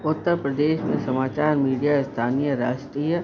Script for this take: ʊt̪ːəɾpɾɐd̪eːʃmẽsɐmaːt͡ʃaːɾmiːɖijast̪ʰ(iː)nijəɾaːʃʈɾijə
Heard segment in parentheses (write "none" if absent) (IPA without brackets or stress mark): aː